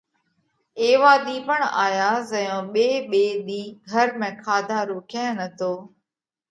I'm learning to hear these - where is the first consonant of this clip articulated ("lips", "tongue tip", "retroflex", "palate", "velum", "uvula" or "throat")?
lips